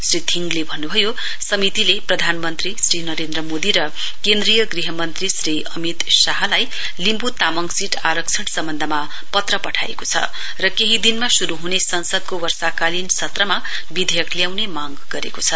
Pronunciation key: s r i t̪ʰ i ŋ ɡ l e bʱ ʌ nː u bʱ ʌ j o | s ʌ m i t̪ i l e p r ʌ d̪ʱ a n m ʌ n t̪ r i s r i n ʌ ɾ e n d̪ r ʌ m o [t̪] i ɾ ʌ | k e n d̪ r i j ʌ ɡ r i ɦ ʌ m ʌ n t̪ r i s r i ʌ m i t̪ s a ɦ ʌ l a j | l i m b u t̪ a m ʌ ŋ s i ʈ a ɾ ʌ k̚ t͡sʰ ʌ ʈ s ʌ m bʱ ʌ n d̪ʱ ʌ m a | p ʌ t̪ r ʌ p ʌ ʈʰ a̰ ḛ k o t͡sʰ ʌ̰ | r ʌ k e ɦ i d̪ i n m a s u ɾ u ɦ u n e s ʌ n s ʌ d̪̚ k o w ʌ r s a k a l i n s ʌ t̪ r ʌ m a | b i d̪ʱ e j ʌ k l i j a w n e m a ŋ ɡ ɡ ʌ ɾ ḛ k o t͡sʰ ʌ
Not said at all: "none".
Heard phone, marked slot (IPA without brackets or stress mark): d̪